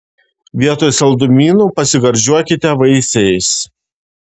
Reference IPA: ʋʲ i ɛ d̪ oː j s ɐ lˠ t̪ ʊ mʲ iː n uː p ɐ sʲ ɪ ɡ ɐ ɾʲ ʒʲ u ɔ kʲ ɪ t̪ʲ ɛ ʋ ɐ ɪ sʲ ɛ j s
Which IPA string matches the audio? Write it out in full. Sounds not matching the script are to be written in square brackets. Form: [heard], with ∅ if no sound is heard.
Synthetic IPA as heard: ʋʲ i ɛ [t̪] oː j s ɐ lˠ [d̪] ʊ mʲ iː n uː p ɐ sʲ ɪ ɡ ɐ ɾʲ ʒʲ u ɔ kʲ ɪ t̪ʲ ɛ ʋ ɐ ɪ sʲ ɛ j s